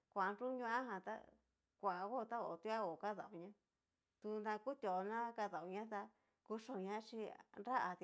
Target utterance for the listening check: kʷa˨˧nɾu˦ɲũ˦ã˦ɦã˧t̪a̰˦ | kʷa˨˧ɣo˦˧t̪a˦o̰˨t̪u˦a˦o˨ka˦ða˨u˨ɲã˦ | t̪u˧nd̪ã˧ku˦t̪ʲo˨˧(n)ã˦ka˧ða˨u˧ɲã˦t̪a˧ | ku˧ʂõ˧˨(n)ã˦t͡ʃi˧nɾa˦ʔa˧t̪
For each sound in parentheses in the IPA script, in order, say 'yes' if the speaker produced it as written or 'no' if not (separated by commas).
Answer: yes, no